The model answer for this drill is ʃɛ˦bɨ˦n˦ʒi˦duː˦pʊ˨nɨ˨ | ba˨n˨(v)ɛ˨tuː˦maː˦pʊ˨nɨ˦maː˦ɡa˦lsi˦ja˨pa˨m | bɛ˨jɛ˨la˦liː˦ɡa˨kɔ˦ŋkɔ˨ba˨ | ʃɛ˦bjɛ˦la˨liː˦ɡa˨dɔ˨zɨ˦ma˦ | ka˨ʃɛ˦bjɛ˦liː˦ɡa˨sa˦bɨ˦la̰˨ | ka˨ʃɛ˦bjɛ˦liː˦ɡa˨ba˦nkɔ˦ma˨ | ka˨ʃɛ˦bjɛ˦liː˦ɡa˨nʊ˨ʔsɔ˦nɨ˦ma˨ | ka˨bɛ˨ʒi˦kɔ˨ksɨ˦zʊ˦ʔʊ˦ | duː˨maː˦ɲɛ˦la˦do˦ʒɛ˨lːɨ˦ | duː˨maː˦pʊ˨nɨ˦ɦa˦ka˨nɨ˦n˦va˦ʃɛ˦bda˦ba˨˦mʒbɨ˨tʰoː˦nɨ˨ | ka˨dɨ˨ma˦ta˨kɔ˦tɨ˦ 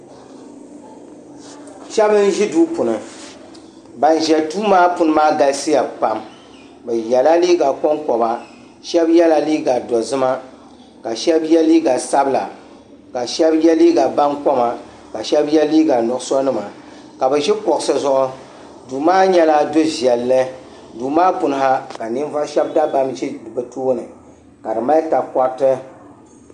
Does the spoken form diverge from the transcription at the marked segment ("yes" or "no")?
yes